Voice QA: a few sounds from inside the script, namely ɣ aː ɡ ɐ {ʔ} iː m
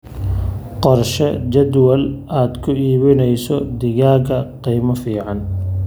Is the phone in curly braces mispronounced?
yes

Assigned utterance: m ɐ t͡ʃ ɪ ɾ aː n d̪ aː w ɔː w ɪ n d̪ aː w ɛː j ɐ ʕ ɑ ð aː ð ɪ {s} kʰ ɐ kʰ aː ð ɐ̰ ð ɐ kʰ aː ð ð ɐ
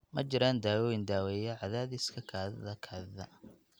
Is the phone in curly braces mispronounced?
no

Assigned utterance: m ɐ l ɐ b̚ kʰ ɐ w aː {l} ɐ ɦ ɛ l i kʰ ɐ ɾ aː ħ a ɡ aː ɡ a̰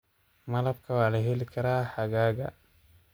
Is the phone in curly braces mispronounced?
no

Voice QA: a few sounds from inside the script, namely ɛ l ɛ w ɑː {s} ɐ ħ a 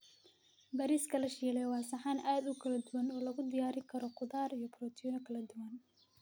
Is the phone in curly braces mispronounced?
no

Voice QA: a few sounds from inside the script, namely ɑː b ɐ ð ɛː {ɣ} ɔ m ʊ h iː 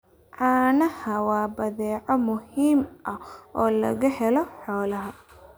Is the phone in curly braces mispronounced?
yes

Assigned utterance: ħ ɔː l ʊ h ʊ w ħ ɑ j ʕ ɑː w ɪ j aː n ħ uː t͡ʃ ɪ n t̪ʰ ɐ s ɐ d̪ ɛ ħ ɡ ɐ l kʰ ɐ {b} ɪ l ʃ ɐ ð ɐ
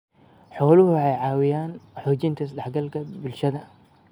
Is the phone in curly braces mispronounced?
no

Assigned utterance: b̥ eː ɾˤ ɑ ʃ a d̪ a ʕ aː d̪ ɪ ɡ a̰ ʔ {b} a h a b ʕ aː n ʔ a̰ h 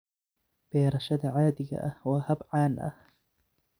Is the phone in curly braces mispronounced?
yes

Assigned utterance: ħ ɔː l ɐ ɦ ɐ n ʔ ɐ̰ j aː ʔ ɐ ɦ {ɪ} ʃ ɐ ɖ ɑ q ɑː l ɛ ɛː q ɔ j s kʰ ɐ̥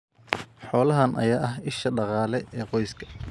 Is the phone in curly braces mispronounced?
no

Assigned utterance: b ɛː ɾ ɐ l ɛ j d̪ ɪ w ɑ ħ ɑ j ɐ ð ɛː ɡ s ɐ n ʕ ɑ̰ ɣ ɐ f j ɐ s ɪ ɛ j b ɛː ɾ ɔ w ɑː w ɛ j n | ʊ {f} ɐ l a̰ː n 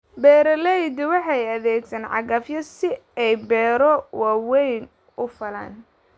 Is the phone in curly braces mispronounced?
no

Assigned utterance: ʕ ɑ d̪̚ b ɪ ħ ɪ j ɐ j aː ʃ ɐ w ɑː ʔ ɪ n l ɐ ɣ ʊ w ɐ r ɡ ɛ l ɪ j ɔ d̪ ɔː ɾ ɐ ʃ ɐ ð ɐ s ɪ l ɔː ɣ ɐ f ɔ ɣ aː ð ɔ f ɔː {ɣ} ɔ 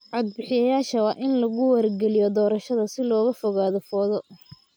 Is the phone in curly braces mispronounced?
yes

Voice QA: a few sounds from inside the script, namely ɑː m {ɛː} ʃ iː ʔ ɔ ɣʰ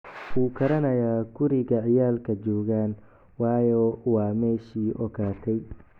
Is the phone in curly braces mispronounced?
no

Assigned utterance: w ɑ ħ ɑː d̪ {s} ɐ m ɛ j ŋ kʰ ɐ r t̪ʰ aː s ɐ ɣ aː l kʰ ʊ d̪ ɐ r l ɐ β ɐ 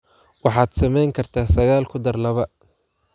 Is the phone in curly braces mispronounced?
no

